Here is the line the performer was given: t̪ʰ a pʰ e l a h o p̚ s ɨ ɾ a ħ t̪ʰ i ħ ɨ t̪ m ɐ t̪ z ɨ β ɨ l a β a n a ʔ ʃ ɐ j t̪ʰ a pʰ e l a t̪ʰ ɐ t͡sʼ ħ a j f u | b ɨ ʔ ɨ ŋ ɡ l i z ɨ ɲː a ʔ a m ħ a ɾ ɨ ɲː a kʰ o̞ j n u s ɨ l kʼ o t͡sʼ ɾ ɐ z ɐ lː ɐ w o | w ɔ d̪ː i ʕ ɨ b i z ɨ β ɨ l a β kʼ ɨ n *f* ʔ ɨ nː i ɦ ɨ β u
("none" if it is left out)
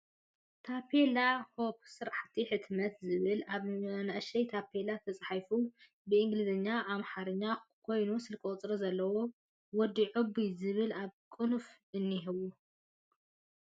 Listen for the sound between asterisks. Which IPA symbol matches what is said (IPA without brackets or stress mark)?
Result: f